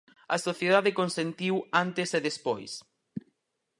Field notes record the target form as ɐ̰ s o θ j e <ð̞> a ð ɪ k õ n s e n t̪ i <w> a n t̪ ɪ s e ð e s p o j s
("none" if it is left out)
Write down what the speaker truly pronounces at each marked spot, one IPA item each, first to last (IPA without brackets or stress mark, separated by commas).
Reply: ð̞, w